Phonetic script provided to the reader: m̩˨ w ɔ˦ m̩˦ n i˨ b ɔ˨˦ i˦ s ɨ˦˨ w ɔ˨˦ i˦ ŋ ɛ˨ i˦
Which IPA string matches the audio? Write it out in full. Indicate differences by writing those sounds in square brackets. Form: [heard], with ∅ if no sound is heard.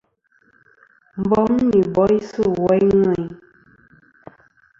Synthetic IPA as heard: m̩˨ [b] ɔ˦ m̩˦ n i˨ b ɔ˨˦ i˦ s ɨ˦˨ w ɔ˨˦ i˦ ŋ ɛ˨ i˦